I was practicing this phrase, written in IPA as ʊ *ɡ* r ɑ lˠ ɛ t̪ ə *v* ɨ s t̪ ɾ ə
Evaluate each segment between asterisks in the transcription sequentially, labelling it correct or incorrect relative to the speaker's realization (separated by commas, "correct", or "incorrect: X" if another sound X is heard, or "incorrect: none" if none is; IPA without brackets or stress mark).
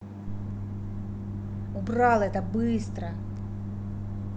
incorrect: b, incorrect: b